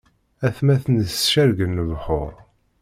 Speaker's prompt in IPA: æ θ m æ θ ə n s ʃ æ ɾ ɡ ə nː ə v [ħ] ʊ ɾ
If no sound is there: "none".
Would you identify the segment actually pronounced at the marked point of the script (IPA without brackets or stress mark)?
ħ